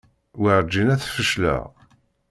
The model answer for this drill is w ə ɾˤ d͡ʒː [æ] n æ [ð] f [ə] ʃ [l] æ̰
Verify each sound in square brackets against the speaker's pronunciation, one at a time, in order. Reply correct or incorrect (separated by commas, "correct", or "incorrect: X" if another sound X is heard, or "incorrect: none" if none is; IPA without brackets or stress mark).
incorrect: i, incorrect: θ, correct, correct